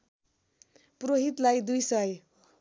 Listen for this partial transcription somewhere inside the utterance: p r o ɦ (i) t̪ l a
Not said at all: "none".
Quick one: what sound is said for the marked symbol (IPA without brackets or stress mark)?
i